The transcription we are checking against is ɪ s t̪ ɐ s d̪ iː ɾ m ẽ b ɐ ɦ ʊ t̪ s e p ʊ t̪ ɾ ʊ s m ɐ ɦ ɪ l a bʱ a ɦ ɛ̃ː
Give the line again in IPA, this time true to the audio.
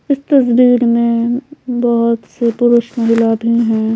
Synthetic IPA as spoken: ɪ s t̪ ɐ s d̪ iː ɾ m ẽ b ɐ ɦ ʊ t̪ s e p ʊ ɾ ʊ ʃ m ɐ ɦ ɪ l a bʱ i ɦ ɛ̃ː

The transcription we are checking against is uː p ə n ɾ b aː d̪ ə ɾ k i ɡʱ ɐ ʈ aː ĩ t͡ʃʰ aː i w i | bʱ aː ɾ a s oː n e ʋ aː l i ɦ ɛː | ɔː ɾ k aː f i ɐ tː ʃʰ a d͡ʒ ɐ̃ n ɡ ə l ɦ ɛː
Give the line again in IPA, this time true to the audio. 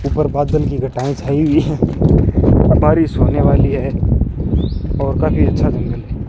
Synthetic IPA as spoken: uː p ə ɾ b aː d̪ ə l k i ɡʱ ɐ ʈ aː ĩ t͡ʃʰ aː i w i | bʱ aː ɾ i s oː n e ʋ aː l i ɦ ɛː | ɔː ɾ k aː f i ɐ tː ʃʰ a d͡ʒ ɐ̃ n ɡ ə l ɦ ɛː

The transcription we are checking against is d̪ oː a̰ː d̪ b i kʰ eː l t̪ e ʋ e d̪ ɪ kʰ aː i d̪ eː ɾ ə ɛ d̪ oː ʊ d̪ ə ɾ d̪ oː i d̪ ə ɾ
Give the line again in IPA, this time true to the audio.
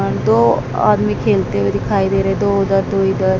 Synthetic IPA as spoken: d̪ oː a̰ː d̪ m i kʰ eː l t̪ e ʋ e d̪ ɪ kʰ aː i d̪ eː ɾ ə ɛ d̪ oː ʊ d̪ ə ɾ d̪ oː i d̪ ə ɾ

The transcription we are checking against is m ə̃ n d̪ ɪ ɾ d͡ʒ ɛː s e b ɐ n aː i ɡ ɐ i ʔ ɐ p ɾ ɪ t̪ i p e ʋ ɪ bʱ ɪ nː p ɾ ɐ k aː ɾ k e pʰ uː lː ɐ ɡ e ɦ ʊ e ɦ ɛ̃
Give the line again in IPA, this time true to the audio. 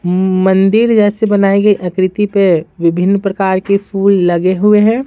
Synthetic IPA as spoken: m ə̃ n d̪ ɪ ɾ d͡ʒ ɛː s e b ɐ n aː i ɡ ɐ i ʔ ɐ k ɾ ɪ t̪ i p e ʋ ɪ bʱ ɪ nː p ɾ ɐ k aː ɾ k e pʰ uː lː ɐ ɡ e ɦ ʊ e ɦ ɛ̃

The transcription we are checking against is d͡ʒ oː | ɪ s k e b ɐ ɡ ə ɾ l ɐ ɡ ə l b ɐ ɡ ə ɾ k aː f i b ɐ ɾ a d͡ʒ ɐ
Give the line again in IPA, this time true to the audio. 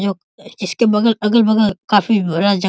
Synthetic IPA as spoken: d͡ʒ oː | ɪ s k e b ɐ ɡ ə l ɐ ɡ ə l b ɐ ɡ ə l k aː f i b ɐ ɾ a d͡ʒ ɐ

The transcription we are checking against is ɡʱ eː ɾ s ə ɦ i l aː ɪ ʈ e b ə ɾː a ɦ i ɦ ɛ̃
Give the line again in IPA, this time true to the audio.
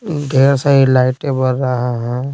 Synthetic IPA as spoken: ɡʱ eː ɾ s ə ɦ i l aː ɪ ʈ e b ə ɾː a ɦ a ɦ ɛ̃

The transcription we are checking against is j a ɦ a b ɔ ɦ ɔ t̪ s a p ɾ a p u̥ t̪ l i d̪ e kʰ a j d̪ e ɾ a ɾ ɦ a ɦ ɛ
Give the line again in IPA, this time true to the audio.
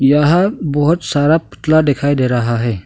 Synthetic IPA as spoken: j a ɦ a b ɔ ɦ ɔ t̪ s a ɾ a p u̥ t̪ l a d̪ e kʰ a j d̪ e ɾ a ɦ a ɦ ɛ

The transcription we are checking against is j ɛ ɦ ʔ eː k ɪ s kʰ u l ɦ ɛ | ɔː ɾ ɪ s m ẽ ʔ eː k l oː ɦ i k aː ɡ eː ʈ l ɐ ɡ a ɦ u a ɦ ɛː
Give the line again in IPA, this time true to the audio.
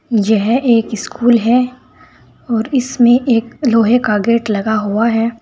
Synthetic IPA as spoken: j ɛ ɦ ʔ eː k ɪ s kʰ uː l ɦ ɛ | ɔː ɾ ɪ s m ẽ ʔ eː k l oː ɦ e k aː ɡ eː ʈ l ɐ ɡ a ɦ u a ɦ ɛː

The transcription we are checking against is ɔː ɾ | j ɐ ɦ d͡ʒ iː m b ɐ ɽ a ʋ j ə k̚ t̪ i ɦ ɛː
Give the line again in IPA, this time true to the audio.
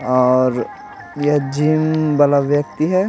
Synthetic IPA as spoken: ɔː ɾ | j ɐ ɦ d͡ʒ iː m b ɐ l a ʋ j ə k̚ t̪ i ɦ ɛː

